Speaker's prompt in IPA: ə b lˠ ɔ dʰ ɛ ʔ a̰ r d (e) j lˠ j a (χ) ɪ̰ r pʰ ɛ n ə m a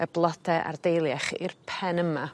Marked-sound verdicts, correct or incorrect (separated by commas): correct, correct